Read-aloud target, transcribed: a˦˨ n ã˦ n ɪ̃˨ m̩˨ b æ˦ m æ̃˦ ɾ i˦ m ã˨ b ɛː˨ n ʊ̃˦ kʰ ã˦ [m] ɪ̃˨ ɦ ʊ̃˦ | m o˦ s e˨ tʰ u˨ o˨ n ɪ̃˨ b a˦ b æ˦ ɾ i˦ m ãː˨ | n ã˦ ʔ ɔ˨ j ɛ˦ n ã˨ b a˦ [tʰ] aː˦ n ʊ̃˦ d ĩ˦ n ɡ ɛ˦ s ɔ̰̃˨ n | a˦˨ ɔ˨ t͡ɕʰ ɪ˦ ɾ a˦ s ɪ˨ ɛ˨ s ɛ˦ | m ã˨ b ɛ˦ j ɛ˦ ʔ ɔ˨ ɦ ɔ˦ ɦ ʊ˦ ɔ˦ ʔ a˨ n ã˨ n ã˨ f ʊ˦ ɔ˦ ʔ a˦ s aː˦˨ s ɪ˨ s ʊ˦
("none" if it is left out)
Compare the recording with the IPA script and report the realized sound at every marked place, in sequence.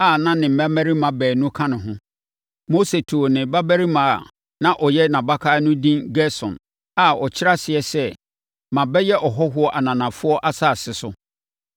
n, kʰ

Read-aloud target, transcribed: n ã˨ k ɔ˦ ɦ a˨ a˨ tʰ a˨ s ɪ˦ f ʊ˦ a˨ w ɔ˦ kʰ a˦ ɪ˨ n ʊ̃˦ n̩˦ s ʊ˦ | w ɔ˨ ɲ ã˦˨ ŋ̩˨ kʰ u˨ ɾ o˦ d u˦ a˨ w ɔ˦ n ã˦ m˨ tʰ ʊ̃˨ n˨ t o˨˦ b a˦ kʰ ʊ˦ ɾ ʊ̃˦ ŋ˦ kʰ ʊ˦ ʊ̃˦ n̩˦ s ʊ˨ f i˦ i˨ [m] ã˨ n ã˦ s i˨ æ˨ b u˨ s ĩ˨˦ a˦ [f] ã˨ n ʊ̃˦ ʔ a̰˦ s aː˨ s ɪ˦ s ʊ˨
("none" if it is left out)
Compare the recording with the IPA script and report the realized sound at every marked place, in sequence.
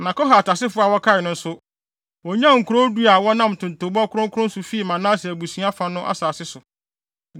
m, f

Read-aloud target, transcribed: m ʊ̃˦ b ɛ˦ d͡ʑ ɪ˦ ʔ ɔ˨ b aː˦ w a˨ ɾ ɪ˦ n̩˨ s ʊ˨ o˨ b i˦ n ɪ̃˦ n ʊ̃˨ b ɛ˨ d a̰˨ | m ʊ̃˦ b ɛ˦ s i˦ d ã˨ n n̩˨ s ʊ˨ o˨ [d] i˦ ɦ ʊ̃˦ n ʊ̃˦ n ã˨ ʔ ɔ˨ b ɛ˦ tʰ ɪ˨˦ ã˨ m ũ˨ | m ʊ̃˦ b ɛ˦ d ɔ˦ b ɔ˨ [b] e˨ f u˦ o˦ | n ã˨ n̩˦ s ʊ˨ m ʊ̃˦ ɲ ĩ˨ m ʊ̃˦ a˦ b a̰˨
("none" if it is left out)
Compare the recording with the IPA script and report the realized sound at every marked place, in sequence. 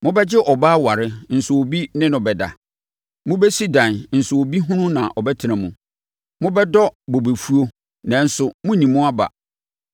b, b

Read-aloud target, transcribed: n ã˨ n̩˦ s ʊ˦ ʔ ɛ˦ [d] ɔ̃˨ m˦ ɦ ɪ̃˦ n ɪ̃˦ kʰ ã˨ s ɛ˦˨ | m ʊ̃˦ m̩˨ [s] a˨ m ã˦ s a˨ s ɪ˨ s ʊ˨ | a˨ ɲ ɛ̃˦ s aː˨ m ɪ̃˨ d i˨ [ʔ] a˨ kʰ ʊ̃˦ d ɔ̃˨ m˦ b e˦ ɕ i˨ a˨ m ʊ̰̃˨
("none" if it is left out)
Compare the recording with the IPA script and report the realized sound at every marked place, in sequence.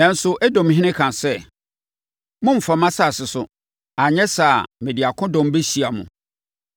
d, f, none

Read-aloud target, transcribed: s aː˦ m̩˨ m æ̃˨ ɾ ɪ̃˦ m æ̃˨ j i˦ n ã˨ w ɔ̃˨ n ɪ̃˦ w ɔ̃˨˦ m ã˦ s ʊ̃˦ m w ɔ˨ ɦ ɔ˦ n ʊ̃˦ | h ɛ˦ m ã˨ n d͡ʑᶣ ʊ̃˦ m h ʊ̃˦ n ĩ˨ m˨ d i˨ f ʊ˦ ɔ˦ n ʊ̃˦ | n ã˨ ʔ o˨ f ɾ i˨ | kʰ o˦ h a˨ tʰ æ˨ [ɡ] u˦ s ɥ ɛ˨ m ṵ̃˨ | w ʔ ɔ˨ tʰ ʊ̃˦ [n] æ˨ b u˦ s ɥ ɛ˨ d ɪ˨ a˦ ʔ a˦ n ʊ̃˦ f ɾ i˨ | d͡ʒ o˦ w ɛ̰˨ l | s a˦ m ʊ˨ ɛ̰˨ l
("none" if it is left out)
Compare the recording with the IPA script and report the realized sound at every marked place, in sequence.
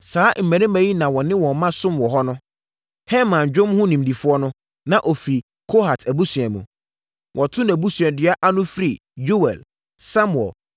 b, n

